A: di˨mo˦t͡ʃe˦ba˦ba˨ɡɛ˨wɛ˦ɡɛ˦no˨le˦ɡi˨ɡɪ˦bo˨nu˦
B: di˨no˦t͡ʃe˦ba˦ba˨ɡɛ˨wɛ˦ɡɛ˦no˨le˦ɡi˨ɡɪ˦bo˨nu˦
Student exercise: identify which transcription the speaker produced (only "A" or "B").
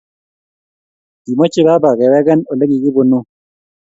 A